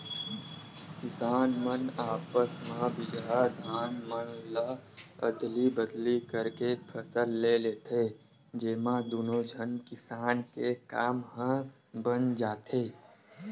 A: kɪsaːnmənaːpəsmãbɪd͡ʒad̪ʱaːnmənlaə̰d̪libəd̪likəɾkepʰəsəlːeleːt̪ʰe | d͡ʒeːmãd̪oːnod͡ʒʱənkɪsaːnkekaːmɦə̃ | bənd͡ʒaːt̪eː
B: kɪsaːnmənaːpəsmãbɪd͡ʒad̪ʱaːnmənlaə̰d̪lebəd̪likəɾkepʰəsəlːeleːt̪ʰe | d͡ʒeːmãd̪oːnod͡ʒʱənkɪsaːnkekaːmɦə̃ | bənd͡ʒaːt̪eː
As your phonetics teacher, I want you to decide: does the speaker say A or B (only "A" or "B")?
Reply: A